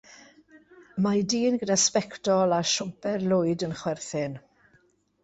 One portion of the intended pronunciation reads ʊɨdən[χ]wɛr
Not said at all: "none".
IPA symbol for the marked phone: χ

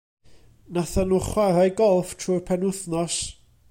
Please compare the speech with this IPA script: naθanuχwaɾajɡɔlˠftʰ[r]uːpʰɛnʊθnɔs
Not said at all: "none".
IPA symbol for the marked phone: r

